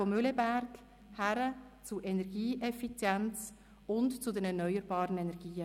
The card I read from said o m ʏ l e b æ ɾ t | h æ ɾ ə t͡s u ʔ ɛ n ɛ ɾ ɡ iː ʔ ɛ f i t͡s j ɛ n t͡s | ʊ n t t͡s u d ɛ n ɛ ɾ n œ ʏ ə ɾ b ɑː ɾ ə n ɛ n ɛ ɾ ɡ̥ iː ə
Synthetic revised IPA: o m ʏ l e b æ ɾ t | h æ ɾ ə t͡s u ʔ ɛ n ɛ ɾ ɡ iː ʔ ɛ f i t͡s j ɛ n t͡s | ʊ n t t͡s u d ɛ n ɛ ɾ n œ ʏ ə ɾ b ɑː ɾ ə n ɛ n ɛ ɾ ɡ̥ iː ə